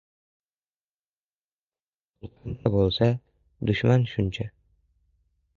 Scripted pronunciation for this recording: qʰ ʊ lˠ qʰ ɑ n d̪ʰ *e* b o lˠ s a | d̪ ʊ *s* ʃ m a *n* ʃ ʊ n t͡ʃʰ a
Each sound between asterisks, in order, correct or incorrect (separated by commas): incorrect, incorrect, correct